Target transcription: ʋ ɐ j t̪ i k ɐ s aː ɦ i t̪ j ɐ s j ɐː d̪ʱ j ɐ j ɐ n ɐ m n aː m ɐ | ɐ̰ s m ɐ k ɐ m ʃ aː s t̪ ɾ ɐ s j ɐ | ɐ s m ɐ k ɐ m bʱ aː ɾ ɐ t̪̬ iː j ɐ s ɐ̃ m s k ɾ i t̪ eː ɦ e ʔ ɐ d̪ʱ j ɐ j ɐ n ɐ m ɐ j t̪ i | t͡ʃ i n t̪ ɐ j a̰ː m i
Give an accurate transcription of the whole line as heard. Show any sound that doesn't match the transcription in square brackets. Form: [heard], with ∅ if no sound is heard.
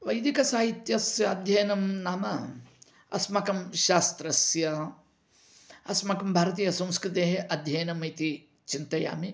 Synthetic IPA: ʋ ɐ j [d̪] i k ɐ s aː ɦ i t̪ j ɐ s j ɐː d̪ʱ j ɐ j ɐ n ɐ m n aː m ɐ | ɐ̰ s m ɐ k ɐ m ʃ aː s t̪ ɾ ɐ s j ɐ | ɐ s m ɐ k ɐ m bʱ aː ɾ ɐ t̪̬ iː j ɐ s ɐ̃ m s k ɾ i t̪ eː ɦ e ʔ ɐ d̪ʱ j ɐ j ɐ n ɐ m ɐ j t̪ i | t͡ʃ i n t̪ ɐ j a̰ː m i